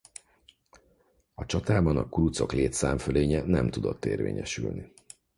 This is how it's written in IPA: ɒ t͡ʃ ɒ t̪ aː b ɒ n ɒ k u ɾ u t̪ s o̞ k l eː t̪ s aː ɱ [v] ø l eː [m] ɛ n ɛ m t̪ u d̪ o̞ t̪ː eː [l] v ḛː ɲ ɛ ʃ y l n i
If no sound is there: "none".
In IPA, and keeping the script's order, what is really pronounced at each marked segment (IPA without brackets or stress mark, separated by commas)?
f, ɲ, r